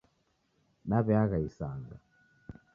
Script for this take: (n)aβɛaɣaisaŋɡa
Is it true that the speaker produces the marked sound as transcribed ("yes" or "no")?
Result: yes